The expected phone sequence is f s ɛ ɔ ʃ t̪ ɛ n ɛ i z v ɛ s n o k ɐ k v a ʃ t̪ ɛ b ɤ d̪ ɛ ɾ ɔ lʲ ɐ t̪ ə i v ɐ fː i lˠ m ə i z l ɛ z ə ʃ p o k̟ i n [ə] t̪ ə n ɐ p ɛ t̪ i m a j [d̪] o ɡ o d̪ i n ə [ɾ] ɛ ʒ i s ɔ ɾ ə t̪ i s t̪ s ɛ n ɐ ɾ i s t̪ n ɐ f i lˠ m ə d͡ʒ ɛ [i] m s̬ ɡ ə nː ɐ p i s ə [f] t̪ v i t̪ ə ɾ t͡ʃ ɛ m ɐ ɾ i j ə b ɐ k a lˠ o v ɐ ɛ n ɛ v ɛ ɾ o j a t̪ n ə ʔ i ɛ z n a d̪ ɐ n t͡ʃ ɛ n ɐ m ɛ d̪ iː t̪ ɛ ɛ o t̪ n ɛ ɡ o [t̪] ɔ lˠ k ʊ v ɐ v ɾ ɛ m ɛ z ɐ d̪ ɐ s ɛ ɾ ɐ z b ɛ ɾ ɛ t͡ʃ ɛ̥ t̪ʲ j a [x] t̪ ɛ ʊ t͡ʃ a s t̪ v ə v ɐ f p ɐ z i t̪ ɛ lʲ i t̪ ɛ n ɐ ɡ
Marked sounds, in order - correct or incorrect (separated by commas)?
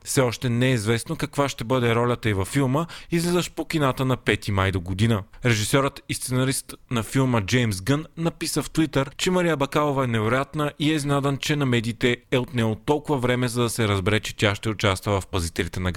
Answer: incorrect, correct, correct, incorrect, correct, correct, incorrect